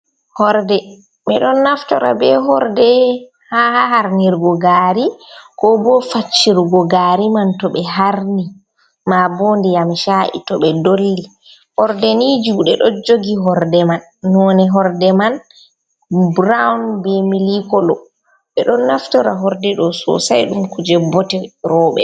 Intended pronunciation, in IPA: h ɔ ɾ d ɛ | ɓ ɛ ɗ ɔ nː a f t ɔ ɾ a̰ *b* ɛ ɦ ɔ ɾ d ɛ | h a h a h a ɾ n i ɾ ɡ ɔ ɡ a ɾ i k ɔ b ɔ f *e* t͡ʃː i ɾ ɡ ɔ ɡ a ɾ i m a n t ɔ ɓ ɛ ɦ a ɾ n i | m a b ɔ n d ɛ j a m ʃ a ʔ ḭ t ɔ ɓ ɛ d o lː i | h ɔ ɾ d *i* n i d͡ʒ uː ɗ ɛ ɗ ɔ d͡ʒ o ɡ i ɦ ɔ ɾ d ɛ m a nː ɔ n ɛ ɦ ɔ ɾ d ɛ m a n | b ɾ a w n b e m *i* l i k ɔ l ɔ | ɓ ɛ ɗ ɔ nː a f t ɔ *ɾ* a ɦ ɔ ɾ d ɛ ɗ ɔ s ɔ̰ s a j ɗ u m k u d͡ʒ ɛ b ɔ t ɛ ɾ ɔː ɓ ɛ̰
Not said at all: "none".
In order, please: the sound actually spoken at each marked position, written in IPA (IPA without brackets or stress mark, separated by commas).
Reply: b, a, ɛ, i, ɾ